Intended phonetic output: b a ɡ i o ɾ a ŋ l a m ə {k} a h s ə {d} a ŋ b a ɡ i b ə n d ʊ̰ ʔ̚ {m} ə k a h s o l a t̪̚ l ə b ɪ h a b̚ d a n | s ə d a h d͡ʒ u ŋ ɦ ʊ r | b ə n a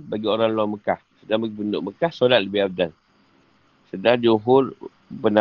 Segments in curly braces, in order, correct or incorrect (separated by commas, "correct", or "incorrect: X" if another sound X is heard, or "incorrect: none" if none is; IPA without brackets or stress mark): correct, correct, correct